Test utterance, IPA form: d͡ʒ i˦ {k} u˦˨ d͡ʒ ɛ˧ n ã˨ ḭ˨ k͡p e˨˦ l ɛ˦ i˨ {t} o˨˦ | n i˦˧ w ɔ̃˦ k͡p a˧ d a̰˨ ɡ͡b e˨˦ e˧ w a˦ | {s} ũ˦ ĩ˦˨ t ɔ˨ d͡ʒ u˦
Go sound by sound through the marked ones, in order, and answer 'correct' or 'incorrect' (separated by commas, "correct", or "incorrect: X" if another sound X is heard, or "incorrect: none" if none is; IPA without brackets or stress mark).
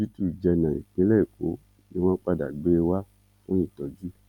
incorrect: t, incorrect: k, incorrect: f